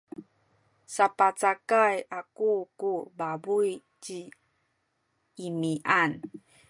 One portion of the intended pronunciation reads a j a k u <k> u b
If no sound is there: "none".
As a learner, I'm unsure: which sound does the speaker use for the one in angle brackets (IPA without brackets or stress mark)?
k